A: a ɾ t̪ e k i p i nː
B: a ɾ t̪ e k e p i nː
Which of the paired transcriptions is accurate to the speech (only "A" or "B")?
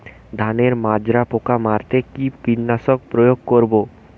A